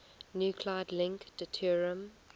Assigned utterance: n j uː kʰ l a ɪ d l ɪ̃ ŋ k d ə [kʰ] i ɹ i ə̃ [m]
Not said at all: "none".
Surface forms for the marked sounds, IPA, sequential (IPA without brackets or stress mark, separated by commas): tʰ, m